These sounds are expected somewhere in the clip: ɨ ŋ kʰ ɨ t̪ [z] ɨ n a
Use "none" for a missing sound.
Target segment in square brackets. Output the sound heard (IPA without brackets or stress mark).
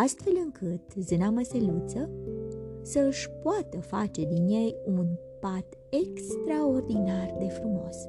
z